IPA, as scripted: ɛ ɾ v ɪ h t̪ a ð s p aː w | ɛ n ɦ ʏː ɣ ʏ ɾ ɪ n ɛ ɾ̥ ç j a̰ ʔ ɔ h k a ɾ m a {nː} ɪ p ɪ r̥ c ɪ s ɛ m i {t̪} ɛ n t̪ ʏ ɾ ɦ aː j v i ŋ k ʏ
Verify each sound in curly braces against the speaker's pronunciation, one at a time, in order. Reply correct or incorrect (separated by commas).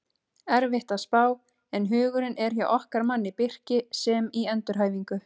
correct, incorrect